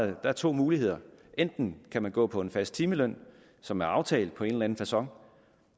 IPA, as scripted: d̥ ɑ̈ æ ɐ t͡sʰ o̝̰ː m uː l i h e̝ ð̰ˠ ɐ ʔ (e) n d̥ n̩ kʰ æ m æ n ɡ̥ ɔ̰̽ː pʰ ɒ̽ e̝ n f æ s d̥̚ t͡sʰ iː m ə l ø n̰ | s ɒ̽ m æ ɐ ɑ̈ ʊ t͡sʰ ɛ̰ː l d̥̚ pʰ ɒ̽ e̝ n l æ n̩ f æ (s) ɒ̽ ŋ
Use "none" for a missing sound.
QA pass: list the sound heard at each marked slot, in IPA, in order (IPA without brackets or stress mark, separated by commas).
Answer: e, s